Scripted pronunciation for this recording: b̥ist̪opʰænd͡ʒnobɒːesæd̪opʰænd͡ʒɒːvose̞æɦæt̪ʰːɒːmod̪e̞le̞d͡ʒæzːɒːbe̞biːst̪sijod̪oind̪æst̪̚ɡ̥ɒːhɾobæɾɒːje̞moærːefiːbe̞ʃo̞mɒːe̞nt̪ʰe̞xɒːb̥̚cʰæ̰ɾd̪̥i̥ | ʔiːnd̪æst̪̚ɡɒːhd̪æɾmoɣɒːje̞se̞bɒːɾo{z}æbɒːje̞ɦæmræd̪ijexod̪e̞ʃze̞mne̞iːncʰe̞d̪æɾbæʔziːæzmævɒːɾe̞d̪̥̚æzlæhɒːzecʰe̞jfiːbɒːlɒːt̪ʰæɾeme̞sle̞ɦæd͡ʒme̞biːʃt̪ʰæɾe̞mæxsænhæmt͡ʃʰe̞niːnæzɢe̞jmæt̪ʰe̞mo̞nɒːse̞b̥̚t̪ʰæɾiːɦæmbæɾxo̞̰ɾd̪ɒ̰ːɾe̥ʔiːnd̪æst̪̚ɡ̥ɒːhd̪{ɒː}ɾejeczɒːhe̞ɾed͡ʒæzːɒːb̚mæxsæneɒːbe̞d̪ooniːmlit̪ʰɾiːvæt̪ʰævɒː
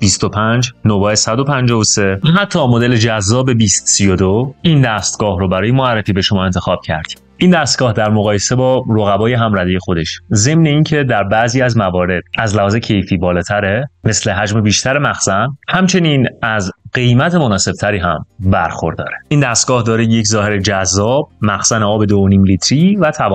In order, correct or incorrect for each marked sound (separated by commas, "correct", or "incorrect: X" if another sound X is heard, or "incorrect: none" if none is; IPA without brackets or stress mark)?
incorrect: ɣ, correct